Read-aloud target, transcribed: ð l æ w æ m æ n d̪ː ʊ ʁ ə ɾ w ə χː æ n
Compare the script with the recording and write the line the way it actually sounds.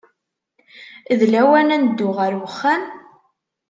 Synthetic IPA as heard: ð l æ w æ n æ n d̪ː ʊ ʁ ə ɾ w ə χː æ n